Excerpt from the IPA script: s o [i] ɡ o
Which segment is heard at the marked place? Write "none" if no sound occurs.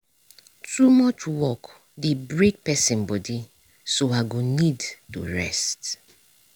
a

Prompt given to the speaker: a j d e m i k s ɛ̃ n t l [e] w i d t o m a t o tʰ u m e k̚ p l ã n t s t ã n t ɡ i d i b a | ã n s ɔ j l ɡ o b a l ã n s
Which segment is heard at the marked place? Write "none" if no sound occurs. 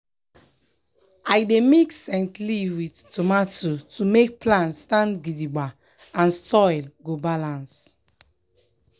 i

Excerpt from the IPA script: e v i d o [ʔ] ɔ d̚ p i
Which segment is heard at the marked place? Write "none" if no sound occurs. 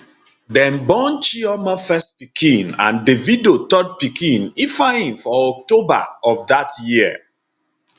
t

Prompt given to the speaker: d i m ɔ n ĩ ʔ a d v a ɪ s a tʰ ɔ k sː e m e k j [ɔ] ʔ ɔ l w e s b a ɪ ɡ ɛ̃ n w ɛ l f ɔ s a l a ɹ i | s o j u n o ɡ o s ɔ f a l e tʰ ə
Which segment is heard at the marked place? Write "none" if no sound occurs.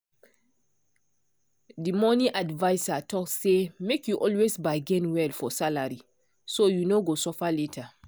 u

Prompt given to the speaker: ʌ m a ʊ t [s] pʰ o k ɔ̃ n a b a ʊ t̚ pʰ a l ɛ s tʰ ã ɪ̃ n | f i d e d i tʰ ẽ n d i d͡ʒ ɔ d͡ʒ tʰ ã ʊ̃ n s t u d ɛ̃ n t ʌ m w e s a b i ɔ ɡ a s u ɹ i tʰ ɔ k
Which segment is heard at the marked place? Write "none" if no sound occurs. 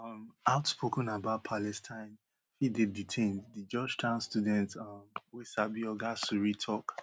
s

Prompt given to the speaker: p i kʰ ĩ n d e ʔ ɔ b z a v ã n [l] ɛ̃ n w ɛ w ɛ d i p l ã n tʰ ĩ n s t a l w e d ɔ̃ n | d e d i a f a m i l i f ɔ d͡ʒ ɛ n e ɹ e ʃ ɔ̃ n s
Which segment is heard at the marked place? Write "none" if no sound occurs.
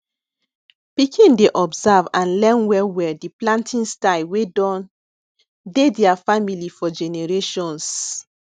l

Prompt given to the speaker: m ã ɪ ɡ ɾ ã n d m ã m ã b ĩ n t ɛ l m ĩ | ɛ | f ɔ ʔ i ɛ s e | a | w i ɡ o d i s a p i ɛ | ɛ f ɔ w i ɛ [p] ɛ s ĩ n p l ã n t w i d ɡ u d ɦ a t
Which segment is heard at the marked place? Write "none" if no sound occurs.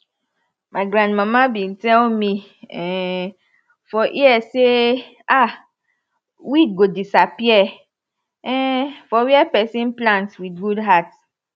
p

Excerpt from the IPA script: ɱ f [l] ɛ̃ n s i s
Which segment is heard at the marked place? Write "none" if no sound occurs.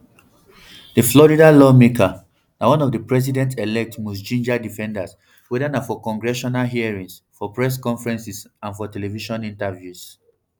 ɹ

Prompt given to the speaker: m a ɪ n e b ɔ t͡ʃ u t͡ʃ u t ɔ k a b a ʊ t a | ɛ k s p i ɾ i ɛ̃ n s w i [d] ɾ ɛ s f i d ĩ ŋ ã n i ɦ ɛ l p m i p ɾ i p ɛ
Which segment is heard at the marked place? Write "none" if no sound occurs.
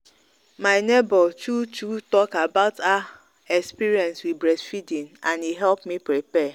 b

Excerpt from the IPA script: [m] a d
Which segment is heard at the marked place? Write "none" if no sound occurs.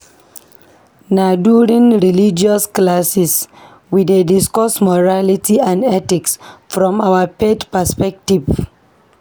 n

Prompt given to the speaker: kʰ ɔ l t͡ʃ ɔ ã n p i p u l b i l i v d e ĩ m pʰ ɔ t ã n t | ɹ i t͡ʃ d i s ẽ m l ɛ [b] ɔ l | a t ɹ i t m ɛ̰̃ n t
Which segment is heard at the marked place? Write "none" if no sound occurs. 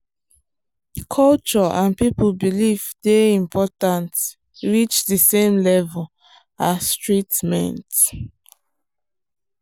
v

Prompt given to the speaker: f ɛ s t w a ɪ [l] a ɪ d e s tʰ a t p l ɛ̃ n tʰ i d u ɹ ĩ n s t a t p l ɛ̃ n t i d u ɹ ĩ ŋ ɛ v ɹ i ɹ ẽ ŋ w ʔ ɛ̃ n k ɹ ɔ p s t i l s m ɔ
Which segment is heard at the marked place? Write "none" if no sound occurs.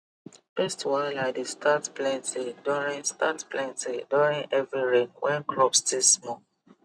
l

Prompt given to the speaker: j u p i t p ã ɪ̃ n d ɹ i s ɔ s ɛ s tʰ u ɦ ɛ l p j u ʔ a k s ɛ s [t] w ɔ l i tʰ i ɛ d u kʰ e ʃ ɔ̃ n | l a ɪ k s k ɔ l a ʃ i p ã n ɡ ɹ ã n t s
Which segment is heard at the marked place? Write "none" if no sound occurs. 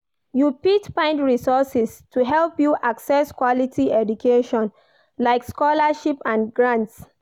k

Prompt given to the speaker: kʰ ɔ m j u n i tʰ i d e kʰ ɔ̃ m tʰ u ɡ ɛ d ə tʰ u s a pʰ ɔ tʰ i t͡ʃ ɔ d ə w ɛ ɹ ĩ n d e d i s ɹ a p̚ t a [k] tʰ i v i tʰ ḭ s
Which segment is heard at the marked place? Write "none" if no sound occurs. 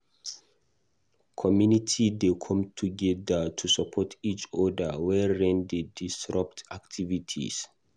k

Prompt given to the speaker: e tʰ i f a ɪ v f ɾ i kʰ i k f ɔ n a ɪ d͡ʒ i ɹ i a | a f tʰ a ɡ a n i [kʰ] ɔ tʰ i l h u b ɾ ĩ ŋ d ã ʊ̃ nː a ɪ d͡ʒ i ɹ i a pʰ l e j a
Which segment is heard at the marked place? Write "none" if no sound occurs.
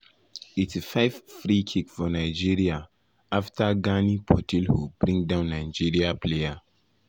pʰ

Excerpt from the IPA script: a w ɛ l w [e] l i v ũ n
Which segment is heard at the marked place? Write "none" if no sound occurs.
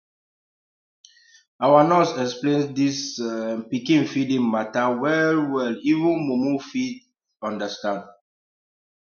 ɛ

